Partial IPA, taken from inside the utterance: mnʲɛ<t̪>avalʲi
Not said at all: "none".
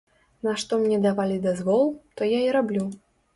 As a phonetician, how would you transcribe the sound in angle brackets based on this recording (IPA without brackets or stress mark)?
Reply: d̪